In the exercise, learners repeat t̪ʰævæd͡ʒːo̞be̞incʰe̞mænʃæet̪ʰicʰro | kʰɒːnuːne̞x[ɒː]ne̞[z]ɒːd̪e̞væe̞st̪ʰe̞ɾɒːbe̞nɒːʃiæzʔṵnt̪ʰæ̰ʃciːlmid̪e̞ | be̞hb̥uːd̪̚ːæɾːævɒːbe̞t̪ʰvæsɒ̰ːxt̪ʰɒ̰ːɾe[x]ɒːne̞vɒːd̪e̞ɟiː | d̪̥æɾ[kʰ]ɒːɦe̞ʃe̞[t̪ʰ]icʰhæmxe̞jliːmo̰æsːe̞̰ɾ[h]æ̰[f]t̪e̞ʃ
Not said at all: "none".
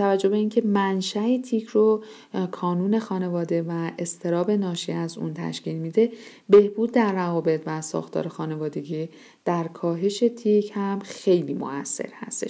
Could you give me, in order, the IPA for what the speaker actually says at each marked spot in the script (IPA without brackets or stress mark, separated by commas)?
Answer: ɒː, v, x, kʰ, t̪ʰ, h, s